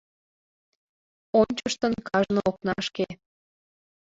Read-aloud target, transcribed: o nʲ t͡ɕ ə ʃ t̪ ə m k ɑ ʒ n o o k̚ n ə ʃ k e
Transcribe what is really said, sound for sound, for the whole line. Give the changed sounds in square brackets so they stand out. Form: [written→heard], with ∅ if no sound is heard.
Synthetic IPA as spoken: o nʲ t͡ɕ ə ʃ t̪ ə [m→n] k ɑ ʒ n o o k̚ n [ə→ɑ] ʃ k e